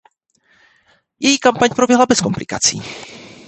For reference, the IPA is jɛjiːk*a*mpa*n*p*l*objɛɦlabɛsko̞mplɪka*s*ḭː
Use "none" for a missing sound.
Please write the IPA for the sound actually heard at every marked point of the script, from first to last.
a, ɲ, ɾ, t͡s

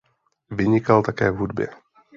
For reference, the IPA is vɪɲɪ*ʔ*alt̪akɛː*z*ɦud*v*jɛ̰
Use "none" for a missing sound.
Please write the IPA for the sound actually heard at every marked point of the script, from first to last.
k, v, b

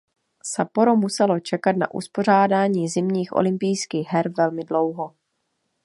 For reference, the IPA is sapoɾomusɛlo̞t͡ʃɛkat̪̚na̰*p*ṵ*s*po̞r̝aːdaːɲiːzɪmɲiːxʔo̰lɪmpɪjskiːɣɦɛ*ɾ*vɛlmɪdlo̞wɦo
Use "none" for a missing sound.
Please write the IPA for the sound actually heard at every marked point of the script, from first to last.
ʔ, s, ɾ

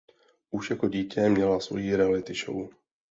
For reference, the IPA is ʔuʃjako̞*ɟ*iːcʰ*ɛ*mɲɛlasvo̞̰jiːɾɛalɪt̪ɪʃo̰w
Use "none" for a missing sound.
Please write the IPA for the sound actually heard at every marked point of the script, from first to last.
ɟ, ɛ

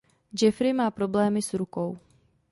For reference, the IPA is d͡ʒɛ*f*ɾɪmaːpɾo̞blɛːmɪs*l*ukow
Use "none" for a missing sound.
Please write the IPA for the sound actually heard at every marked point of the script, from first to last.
f, ɾ

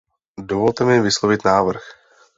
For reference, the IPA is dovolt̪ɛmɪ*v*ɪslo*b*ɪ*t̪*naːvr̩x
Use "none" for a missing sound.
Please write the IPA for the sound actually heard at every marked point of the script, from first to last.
v, v, t̪

